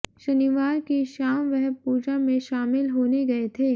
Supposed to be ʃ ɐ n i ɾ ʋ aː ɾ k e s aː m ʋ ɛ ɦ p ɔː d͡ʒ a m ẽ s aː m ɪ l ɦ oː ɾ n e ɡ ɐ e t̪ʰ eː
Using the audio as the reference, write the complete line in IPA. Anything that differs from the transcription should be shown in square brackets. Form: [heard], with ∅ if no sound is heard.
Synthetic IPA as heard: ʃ ɐ n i [∅] ʋ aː ɾ k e [ʃ] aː m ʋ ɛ ɦ p [uː] d͡ʒ a m ẽ [ʃ] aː m ɪ l ɦ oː [∅] n e ɡ ɐ e t̪ʰ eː